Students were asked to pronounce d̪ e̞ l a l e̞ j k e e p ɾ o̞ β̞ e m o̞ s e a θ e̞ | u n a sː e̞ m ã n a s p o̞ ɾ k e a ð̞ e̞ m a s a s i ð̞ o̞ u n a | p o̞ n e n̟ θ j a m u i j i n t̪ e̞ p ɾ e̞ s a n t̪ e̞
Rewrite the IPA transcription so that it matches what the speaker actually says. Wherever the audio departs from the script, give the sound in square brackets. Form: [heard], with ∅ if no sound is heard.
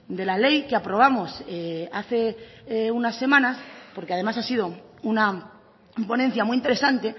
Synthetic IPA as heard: d̪ e̞ l a l e̞ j k e [a] p ɾ o̞ β̞ [a] m o̞ s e a θ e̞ | u n a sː e̞ m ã n a s p o̞ ɾ k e a ð̞ e̞ m a s a s i ð̞ o̞ u n a | p o̞ n e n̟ θ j a m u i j i n t̪ e̞ [∅] ɾ e̞ s a n t̪ e̞